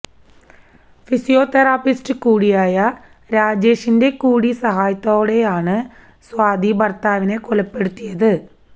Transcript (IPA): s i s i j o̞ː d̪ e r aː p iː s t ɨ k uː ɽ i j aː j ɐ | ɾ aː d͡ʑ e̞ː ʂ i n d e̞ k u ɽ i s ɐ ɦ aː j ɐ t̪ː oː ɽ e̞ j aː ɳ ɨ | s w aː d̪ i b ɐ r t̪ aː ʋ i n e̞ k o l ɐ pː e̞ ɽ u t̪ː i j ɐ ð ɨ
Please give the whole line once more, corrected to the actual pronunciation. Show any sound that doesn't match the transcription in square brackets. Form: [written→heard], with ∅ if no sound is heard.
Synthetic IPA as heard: [s→f] i s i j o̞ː [d̪→t̪] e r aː p [iː→i] s t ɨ k uː ɽ i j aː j ɐ | ɾ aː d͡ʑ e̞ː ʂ i n d e̞ k [u→uː] ɽ i s ɐ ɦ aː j ɐ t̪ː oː ɽ e̞ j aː ɳ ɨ | s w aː d̪ i b ɐ r t̪ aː ʋ i n e̞ k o l ɐ pː e̞ ɽ u t̪ː i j ɐ ð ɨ